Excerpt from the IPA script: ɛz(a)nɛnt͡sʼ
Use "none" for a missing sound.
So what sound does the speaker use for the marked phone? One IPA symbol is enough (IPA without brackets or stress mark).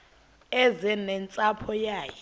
ɛ